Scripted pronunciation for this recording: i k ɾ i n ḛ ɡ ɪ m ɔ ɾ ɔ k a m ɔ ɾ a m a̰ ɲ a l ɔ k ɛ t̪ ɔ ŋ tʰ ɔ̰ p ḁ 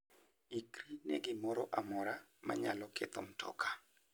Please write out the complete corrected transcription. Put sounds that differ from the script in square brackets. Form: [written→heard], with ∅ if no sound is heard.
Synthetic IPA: i k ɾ i n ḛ ɡ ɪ m ɔ ɾ ɔ [k→ʔ] a m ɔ ɾ a m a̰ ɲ a l ɔ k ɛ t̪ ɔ [ŋ→m] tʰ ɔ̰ [p→k] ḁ